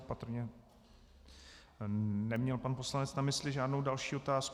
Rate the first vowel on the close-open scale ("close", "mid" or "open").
open